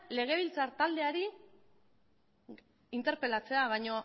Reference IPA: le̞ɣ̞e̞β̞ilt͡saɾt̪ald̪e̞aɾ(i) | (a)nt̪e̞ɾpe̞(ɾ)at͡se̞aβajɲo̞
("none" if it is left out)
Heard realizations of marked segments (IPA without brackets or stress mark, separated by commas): i, i, l